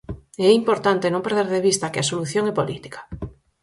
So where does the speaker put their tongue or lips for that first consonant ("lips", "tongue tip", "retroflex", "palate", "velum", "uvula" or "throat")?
lips